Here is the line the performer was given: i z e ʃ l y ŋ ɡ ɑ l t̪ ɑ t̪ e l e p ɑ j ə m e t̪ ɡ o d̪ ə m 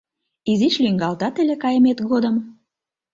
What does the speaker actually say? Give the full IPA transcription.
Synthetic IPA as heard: i z i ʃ l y ŋ ɡ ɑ l t̪ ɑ t̪ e l e k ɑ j ə m e t̪ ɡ o d̪ ə m